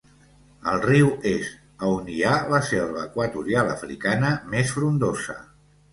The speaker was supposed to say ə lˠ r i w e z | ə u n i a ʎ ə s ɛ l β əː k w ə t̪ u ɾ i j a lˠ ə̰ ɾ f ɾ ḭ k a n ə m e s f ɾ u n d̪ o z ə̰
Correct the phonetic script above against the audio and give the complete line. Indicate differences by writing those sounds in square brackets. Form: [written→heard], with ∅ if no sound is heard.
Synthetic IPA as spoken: ə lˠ r i w e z | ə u n i a [ʎ→l] ə s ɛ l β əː k w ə t̪ u ɾ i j a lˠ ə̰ [ɾ→∅] f ɾ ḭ k a n ə m e s f ɾ u n d̪ o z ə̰